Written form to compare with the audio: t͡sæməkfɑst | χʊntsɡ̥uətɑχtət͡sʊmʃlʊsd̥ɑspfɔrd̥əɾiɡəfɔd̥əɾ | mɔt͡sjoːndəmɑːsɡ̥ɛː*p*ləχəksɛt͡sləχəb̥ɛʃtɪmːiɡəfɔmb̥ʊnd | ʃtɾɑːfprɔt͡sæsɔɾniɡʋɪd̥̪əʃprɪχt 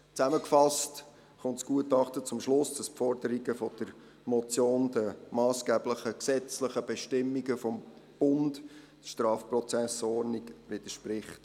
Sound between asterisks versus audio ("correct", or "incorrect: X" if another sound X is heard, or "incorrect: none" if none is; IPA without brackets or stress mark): incorrect: b